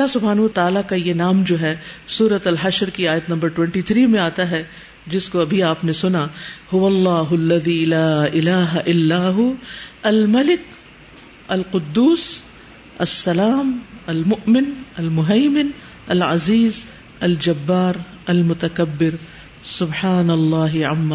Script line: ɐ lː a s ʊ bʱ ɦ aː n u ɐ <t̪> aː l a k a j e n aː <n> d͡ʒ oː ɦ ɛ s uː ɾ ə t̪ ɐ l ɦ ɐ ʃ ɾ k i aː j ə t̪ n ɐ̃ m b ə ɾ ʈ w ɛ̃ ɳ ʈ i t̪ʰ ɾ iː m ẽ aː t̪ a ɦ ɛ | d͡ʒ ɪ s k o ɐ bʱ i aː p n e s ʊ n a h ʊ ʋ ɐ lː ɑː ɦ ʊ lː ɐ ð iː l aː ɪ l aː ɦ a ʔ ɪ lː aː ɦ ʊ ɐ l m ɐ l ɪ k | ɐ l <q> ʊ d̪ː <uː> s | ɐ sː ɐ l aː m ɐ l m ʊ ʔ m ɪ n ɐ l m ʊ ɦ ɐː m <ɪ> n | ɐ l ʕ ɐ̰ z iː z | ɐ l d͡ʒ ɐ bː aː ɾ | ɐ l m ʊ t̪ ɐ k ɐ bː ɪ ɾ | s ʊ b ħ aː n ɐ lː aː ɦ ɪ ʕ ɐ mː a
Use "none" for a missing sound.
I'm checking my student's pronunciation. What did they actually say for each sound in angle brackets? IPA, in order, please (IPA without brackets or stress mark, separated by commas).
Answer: t̪, m, q, uː, ɪ